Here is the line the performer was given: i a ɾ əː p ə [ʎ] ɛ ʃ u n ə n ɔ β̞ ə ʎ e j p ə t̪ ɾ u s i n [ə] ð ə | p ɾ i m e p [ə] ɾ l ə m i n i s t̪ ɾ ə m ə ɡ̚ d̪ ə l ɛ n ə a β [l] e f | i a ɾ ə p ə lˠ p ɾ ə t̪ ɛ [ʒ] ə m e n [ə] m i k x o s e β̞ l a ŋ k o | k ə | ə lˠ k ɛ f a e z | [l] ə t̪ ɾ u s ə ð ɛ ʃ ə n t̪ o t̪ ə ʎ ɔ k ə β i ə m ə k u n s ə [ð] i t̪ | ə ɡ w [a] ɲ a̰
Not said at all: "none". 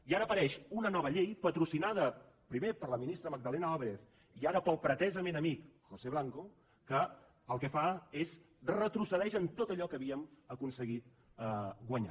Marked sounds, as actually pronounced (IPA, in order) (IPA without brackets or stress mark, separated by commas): ɾ, a, ə, ɾ, z, ə, r, ɣ, ə